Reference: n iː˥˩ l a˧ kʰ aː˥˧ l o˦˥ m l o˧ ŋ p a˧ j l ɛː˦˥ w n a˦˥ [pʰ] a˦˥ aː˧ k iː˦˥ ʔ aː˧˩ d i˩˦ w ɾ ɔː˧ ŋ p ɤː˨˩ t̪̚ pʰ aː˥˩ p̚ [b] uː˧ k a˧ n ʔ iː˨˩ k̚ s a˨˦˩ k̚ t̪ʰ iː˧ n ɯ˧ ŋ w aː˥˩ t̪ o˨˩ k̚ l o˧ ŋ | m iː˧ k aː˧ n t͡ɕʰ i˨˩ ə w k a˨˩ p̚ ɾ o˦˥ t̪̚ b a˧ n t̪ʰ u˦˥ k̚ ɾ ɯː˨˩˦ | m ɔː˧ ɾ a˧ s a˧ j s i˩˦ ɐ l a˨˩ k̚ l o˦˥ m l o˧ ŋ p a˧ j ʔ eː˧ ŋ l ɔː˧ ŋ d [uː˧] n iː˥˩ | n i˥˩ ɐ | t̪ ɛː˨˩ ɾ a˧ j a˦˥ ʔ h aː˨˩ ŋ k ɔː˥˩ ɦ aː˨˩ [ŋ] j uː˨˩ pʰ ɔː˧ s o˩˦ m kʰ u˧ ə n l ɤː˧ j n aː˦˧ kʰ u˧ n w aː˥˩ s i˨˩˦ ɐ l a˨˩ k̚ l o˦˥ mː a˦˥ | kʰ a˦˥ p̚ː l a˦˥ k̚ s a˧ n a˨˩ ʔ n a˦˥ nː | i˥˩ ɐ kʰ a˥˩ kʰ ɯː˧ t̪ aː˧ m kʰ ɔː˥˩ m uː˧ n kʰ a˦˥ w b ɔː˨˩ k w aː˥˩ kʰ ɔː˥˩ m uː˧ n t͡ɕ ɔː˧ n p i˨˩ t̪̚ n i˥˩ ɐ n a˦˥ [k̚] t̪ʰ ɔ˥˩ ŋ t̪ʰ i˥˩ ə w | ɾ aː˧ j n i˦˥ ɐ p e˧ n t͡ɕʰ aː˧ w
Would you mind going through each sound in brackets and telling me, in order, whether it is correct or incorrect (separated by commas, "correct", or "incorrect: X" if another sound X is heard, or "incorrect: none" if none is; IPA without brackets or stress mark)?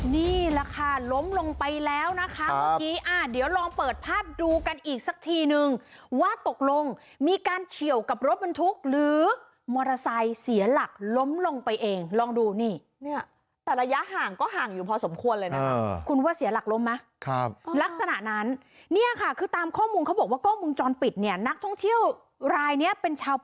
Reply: incorrect: kʰ, incorrect: d, correct, correct, correct